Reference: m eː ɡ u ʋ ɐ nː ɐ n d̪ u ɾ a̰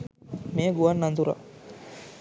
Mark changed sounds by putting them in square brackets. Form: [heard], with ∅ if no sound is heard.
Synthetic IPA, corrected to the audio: m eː ɡ u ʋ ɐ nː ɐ n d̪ u ɾ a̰